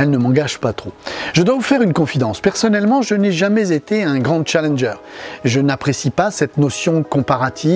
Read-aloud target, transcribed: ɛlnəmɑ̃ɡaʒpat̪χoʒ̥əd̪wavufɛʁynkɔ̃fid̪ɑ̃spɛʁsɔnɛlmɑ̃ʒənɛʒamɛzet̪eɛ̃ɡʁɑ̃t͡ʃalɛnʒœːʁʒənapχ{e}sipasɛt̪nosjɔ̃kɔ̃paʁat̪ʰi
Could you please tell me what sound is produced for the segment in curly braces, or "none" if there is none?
e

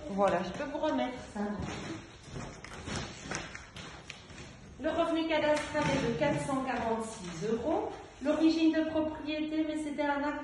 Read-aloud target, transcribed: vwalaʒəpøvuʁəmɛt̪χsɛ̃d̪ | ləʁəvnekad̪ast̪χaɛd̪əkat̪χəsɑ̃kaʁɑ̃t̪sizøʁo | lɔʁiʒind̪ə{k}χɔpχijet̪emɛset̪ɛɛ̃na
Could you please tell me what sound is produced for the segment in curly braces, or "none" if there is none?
p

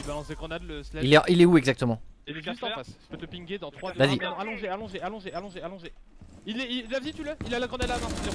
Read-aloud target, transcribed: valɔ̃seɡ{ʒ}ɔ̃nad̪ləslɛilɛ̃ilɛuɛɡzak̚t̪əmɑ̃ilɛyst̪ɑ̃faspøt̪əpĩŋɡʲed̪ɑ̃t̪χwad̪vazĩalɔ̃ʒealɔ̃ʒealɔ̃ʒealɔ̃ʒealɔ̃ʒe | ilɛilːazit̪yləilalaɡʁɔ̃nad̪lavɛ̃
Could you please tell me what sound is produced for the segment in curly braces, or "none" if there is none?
ʁ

